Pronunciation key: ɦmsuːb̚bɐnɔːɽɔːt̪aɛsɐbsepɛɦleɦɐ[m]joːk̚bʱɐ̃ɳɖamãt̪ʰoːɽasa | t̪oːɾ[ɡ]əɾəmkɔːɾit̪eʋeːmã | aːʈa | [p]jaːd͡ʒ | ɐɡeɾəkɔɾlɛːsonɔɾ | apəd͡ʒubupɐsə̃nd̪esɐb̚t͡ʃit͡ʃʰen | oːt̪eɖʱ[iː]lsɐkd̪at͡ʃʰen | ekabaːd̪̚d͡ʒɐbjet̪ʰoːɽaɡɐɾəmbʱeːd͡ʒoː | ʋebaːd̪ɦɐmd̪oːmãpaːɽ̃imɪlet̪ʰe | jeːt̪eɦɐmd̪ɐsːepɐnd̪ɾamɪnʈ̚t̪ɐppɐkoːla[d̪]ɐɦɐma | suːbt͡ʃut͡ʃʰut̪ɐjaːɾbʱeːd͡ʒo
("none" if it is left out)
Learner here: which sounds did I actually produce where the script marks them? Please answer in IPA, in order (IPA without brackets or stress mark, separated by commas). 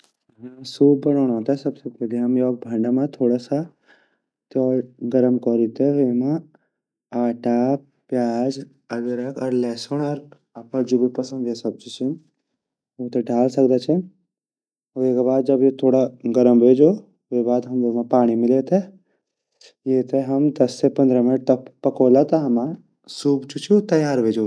m, ɡ, p, aː, t̪